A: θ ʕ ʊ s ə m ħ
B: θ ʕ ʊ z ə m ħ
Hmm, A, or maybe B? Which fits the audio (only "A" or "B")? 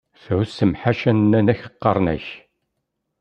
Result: A